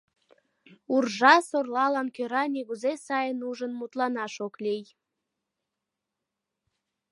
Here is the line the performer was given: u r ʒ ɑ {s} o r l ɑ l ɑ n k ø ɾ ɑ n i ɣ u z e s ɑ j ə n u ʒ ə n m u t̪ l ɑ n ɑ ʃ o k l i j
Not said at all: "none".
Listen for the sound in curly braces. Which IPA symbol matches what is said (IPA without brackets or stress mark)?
s